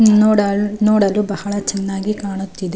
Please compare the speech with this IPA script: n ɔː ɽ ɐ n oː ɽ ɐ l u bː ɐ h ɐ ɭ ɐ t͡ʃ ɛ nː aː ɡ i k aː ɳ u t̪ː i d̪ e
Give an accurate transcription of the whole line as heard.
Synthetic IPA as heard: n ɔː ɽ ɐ n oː ɽ ɐ l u b ɐ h ɐ ɭ ɐ t͡ʃ ɛ nː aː ɡ i k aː ɳ u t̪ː i d̪ e